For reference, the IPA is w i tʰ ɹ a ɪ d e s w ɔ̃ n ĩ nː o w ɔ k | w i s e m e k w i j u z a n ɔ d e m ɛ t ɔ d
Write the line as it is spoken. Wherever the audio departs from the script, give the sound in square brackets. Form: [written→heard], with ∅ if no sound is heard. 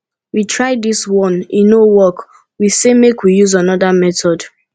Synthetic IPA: w i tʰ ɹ a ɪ d [e→i] s w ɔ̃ n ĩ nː o w ɔ k | w i s e m e k w i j u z a n ɔ d [e→a] m ɛ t ɔ d